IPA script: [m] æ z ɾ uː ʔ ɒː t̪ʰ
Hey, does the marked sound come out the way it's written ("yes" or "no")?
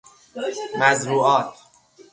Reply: yes